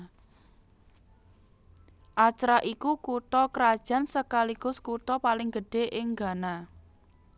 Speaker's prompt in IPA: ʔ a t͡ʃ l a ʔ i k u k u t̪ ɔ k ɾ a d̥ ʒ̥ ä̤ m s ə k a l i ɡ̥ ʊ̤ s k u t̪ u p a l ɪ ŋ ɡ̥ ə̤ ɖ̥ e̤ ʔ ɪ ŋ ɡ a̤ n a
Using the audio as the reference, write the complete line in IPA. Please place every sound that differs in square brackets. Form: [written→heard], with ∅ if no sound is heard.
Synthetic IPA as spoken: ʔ a t͡ʃ [l→ɾ] a ʔ i k u k u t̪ ɔ k ɾ a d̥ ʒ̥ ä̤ [m→n] s ə k a l i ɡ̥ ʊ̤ s k u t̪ [u→ɔ] p a l ɪ ŋ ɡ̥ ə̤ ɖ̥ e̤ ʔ ɪ ŋ ɡ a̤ n a